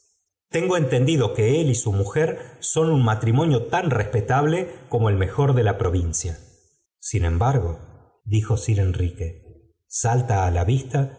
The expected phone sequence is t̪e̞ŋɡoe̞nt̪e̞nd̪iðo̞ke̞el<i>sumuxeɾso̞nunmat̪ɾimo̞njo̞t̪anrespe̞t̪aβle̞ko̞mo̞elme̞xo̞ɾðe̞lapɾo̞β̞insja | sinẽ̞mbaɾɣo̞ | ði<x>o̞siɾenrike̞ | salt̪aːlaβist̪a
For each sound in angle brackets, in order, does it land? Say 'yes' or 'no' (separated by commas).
yes, yes